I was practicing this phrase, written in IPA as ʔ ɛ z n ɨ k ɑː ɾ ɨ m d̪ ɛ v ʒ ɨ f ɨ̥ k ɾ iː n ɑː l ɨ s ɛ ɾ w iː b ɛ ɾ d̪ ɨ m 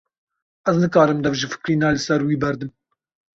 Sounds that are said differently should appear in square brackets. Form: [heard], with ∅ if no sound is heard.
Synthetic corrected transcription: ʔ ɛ z n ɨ k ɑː ɾ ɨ m d̪ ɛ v ʒ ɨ f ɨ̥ k ɾ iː n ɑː l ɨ s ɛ ɾ w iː b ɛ ɾ d̪ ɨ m